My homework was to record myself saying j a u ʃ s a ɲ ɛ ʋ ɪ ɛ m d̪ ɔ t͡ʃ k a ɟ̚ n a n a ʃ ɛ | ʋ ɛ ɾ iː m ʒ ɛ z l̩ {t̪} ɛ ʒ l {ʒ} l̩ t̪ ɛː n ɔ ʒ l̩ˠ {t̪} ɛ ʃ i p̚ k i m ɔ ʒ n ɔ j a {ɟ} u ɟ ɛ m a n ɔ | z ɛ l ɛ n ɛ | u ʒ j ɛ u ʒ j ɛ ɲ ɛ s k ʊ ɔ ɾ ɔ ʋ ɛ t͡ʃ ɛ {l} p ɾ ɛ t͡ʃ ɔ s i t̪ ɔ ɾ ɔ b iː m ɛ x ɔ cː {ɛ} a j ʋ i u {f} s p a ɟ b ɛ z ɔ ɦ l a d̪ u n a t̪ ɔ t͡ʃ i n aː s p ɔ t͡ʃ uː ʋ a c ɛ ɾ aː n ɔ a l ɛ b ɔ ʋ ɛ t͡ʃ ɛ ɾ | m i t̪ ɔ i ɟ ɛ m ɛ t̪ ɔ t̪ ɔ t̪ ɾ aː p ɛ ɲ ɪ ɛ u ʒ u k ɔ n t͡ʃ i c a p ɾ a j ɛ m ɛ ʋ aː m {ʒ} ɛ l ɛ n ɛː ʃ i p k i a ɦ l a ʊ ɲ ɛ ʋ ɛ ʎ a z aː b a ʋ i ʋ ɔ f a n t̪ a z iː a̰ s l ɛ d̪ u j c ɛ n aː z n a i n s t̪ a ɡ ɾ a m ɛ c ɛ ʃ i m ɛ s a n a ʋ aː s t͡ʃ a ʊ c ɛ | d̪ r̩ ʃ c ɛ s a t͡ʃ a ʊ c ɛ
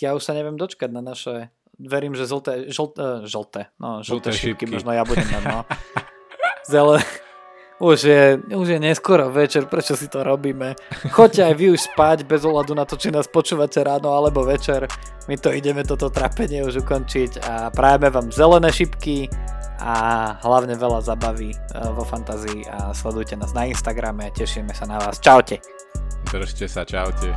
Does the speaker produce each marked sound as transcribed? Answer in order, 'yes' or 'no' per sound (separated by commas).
yes, yes, yes, no, no, yes, no, no